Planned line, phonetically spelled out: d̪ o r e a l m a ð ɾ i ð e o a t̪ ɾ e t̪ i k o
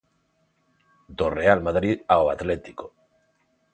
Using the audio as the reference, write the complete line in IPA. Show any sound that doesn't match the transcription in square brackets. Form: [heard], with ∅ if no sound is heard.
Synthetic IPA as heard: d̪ o r e a l m a ð ɾ i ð [a] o a t̪ [l] e t̪ i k o

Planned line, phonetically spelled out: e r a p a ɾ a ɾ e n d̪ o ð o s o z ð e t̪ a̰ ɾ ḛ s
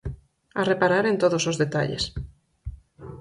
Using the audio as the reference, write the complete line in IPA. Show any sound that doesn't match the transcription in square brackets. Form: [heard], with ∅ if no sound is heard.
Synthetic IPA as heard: [a] r [e] p a ɾ a ɾ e n [t̪] o ð o s o z ð e t̪ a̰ [ʎ] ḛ s

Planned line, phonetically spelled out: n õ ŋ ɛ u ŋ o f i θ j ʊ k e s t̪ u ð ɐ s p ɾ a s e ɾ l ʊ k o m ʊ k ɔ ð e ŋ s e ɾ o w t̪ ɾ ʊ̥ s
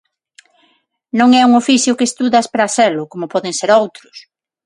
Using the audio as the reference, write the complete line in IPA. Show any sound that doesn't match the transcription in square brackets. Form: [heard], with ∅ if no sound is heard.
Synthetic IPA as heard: n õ ŋ ɛ u ŋ o f i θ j ʊ k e s t̪ u ð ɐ s p ɾ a s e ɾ l ʊ k o m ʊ [p] ɔ ð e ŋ s e ɾ o w t̪ ɾ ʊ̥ s

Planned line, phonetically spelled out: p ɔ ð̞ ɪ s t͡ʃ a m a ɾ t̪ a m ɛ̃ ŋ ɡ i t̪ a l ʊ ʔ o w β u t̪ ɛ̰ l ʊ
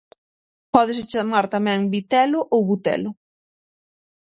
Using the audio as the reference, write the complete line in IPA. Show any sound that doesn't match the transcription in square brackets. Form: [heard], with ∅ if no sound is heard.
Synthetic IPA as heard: p ɔ ð̞ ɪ s t͡ʃ a m a ɾ t̪ a m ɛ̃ ŋ [b] i t̪ [ɛ] l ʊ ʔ o w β u t̪ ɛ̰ l ʊ

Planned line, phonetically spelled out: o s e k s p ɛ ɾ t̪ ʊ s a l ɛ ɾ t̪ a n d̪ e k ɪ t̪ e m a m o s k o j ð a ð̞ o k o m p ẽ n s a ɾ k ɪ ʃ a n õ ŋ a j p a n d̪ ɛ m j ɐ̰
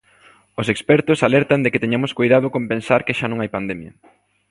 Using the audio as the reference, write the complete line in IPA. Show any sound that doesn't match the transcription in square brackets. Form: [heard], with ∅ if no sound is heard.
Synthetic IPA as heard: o s e k s p ɛ ɾ t̪ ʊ s a l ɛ ɾ t̪ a n d̪ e k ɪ t̪ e [ɲ] a m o s k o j ð a ð̞ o k o m p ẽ n s a ɾ k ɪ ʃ a n õ ŋ a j p a n d̪ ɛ m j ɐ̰

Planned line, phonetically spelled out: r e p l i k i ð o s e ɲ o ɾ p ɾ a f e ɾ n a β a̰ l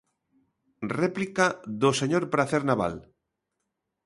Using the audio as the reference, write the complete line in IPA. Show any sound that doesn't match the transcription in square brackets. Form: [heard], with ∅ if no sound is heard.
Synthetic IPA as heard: r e p l i k [a] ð o s e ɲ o ɾ p ɾ a [θ] e ɾ n a β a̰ l

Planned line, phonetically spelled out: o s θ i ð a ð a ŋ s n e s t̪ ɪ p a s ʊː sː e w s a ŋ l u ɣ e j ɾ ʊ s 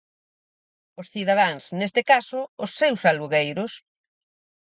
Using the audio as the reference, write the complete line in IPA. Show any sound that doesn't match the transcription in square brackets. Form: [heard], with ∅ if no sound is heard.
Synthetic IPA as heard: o s θ i ð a ð a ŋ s n e s t̪ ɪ [k] a s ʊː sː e w s a [∅] l u ɣ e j ɾ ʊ s

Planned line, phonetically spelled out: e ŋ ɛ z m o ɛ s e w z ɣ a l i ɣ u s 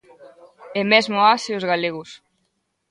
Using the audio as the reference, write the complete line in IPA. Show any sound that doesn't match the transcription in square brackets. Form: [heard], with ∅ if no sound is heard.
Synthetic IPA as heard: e [m] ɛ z m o [a] s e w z ɣ a l [e] ɣ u s

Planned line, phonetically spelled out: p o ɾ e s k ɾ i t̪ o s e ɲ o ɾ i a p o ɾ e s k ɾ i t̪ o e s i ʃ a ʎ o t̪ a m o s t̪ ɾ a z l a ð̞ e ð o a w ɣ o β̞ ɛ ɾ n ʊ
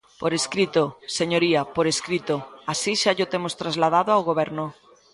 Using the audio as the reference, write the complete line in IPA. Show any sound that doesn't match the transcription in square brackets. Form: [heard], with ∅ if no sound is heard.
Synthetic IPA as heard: p o ɾ e s k ɾ i t̪ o s e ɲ o ɾ i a p o ɾ e s k ɾ i t̪ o [a] s i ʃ a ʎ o t̪ [e] m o s t̪ ɾ a z l a ð̞ [a] ð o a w ɣ o β̞ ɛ ɾ n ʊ

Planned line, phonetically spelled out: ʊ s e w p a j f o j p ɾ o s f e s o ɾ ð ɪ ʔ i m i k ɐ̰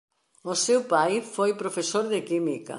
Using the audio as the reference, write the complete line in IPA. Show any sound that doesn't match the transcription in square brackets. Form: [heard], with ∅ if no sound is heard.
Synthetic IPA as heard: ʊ s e w p a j f o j p ɾ o [∅] f e s o ɾ ð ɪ [k] i m i k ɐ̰

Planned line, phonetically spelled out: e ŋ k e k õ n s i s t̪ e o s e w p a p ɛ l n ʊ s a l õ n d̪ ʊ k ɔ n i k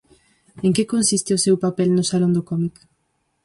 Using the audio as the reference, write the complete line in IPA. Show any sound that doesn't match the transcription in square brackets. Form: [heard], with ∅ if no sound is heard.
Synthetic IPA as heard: e ŋ k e k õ n s i s t̪ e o s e w p a p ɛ l n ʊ s a l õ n d̪ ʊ k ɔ [m] i k

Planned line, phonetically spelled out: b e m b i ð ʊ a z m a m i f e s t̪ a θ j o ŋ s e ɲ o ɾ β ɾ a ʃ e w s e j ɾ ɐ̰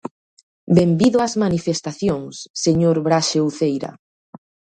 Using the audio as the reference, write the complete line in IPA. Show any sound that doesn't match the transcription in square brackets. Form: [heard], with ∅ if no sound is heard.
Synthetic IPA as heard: b e m b i ð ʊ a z m a [n] i f e s t̪ a θ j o ŋ [sː] e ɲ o ɾ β ɾ a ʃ e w [θ] e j ɾ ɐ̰

